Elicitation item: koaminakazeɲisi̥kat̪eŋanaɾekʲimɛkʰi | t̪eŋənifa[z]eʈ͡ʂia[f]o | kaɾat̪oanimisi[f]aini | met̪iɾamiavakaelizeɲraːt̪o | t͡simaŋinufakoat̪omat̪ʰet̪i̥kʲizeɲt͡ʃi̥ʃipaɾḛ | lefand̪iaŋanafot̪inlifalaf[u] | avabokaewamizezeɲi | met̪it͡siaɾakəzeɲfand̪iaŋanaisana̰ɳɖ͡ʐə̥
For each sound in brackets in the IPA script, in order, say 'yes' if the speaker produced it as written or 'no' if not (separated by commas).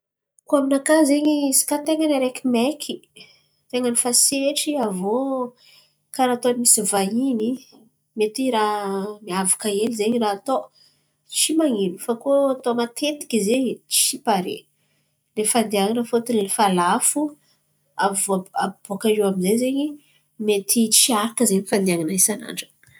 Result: no, no, no, yes